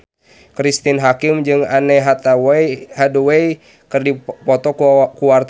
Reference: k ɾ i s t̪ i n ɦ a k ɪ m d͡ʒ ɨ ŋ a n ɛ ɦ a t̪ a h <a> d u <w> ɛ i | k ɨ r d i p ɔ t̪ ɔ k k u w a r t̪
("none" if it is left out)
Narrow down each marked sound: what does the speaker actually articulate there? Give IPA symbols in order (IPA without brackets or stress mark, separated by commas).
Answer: a, w